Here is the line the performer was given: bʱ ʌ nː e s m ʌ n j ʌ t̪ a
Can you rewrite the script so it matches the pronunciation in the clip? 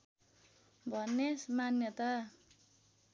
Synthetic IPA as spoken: bʱ ʌ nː e s m a n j ʌ t̪ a

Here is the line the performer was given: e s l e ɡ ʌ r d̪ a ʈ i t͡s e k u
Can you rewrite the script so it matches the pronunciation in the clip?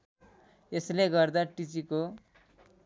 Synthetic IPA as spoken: e s l e ɡ ʌ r d̪ a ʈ i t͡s i k o

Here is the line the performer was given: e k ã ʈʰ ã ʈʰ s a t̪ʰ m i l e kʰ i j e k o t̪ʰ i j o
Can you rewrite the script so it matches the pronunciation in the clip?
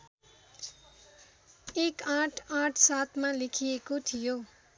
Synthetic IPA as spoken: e k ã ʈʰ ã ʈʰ s a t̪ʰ m a l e kʰ i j e k o t̪ʰ i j o

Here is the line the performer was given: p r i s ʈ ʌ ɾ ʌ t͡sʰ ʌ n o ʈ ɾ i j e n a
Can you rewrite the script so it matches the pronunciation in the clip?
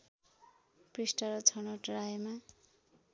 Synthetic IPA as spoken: p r i s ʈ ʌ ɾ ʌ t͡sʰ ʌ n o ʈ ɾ a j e m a

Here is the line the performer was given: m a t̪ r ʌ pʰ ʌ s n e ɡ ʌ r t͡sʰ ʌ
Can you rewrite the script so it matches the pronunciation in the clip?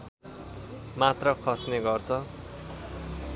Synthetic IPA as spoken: m a t̪ r ʌ kʰ ʌ s n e ɡ ʌ r t͡sʰ ʌ

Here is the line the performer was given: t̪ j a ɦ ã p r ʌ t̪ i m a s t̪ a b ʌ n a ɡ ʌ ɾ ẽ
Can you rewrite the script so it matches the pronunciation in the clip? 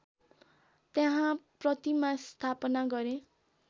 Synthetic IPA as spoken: t̪ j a ɦ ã p r ʌ t̪ i m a s t̪ʰ a p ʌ n a ɡ ʌ ɾ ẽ

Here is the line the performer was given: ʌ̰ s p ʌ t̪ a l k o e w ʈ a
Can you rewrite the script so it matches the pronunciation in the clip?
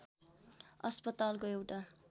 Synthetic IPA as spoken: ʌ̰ s p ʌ t̪ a l k o e w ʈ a

